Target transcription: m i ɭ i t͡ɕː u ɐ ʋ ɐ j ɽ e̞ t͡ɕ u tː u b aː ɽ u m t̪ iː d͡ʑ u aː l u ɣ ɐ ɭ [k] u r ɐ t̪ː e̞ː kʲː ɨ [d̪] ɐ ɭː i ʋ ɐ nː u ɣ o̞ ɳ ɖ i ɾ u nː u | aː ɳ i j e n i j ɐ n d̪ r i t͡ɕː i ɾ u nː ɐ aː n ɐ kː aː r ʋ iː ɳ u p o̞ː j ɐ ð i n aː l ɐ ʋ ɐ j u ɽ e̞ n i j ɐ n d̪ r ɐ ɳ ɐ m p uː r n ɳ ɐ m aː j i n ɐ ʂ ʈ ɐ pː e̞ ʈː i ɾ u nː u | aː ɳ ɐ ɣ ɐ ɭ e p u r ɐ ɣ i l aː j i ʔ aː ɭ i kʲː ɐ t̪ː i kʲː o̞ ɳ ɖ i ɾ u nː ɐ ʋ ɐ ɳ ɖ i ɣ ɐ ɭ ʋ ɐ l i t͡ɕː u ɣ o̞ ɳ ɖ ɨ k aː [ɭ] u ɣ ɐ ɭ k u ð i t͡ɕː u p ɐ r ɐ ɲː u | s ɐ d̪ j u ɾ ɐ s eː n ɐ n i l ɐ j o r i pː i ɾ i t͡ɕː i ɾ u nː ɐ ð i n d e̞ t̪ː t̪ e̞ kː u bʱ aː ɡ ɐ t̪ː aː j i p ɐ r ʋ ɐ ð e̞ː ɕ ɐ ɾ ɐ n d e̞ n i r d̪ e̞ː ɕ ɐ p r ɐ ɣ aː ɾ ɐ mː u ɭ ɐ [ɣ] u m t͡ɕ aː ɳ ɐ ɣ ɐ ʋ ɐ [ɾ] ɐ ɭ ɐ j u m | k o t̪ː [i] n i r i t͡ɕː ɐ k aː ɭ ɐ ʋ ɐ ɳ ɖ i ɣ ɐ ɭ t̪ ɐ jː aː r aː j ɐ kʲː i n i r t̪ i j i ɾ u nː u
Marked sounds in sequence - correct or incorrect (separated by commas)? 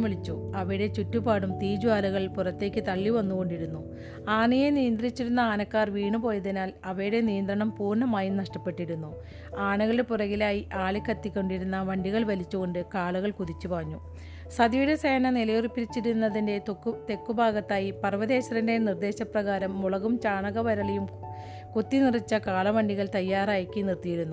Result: incorrect, incorrect, correct, correct, correct, correct